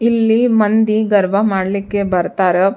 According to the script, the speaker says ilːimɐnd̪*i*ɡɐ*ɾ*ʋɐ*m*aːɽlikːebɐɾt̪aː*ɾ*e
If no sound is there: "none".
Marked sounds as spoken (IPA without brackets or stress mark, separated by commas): i, ɾ, m, ɾ